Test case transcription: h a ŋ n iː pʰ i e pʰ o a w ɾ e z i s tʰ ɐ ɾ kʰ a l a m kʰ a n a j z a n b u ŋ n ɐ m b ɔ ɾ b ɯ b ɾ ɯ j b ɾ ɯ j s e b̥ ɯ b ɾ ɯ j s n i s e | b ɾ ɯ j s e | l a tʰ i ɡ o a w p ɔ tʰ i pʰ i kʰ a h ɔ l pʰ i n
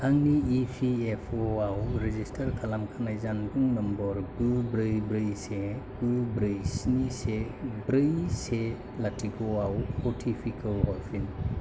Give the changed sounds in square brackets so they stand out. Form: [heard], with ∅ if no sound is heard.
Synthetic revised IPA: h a ŋ n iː pʰ i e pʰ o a w ɾ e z i s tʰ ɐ ɾ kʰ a l a m kʰ a n a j z a n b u ŋ n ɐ m b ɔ ɾ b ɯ b ɾ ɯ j b ɾ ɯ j s e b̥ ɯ b ɾ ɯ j s n i s e | b ɾ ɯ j s e | l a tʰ i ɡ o a w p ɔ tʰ i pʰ i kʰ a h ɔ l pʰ i n